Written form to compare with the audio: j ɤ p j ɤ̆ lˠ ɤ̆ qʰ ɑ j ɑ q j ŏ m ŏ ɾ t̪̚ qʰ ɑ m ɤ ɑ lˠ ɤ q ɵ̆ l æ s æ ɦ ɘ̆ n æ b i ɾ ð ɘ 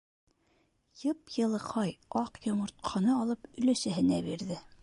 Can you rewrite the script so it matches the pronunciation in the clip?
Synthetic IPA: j ɤ p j ɤ̆ lˠ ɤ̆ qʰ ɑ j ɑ q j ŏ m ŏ ɾ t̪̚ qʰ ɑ n ɤ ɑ lˠ ɤ p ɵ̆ l æ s æ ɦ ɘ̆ n æ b i ɾ ð ɘ